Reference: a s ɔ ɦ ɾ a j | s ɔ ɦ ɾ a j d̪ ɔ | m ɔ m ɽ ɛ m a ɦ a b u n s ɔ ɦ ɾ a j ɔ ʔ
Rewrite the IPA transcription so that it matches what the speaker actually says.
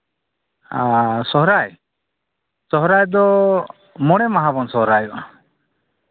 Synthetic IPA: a s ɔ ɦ ɾ a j | s ɔ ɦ ɾ a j d̪ ɔ | m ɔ ɽ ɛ m a ɦ a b ɔ n s ɔ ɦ ɾ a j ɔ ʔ